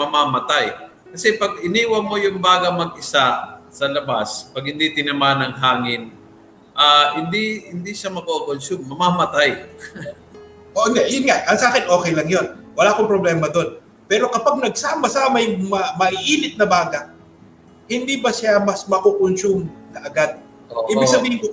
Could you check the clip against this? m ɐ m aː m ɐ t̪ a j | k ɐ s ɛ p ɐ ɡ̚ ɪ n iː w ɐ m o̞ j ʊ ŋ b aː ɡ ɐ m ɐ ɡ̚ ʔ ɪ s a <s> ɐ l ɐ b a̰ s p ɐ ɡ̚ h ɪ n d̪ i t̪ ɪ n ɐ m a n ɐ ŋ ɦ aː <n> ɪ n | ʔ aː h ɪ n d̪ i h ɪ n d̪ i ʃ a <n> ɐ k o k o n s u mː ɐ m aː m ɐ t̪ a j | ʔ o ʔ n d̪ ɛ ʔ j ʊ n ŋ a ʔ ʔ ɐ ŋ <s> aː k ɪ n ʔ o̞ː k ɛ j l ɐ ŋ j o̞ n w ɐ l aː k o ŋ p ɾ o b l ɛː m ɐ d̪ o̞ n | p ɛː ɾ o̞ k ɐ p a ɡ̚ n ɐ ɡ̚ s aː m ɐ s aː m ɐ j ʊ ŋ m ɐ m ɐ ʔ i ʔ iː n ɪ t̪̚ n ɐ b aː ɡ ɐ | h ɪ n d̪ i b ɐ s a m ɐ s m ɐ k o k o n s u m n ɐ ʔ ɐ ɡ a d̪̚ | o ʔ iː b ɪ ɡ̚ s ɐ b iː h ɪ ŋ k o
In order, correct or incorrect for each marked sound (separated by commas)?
correct, incorrect, incorrect, correct